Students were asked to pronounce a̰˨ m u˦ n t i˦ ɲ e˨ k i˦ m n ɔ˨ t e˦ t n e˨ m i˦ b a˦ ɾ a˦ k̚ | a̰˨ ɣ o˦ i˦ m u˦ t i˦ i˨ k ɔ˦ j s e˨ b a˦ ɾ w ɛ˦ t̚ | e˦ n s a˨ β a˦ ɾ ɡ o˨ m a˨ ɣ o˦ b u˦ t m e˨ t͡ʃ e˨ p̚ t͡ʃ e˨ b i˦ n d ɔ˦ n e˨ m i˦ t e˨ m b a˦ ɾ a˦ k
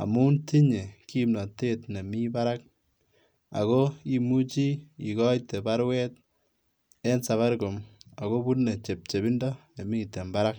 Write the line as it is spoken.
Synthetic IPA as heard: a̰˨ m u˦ n t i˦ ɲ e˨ k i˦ m n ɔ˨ t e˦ t n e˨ m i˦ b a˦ ɾ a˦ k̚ | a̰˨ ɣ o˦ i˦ m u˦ t͡ʃ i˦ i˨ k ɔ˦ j t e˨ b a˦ ɾ w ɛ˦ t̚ | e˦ n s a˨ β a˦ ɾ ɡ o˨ m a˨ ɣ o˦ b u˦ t n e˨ t͡ʃ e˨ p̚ t͡ʃ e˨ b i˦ n d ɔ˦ n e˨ m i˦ t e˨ m b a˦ ɾ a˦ k

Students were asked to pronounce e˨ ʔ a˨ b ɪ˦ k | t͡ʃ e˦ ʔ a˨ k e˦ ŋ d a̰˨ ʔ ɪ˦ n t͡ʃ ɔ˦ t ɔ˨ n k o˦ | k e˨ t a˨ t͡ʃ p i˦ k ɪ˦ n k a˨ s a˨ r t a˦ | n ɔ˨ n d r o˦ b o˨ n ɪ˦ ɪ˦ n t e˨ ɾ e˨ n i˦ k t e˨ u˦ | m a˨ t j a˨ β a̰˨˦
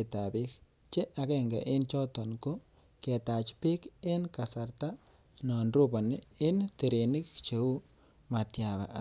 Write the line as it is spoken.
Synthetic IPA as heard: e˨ t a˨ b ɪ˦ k | t͡ʃ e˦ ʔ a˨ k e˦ ŋ ɡ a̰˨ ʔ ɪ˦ n t͡ʃ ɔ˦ t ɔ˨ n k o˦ | k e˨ t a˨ t͡ʃ p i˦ k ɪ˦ n k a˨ s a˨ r t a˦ | n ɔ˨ n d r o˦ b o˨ n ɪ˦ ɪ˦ n t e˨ ɾ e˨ n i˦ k t͡ʃ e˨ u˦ | m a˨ t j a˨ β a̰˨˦

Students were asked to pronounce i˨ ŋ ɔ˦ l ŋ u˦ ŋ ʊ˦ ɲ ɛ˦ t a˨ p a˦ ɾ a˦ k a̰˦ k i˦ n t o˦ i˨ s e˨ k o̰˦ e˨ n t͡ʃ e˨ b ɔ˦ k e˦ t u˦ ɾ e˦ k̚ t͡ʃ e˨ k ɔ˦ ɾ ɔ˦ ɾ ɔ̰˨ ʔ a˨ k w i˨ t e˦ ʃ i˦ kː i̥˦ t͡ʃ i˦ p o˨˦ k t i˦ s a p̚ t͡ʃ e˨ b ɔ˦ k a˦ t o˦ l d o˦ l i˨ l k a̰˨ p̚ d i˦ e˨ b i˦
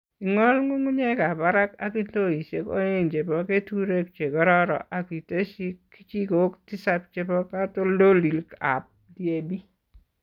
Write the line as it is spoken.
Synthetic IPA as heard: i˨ ŋ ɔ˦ l ŋ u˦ ŋ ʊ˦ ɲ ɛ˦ k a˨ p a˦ ɾ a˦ k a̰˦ k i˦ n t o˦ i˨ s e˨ k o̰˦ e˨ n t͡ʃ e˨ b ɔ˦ k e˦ t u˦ ɾ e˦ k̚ t͡ʃ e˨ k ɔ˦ ɾ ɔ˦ ɾ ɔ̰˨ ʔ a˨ k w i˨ t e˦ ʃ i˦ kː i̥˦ t͡ʃ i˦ k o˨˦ k t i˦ s a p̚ t͡ʃ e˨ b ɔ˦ k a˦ t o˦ l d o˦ l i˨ l k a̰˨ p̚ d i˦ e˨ b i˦

